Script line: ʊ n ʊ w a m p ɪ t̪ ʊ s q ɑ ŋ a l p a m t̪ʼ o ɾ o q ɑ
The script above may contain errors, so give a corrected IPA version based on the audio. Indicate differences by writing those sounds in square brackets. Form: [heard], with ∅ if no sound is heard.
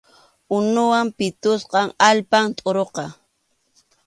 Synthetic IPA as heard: ʊ n ʊ w a m p ɪ t̪ ʊ s q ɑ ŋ a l p a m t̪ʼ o ɾ o q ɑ